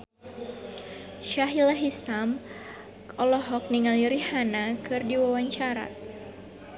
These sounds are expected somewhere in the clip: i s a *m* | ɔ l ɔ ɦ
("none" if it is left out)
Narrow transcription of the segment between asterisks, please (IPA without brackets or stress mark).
m